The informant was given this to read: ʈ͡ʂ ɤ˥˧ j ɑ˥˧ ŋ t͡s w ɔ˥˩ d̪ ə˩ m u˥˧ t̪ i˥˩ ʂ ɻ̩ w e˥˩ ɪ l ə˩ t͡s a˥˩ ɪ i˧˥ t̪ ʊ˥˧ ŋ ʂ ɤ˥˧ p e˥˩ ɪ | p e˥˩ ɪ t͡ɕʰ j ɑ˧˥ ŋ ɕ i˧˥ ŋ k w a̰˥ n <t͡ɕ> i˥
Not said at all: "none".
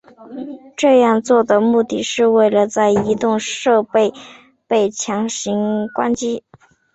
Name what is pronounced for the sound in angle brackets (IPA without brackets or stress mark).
t͡ɕ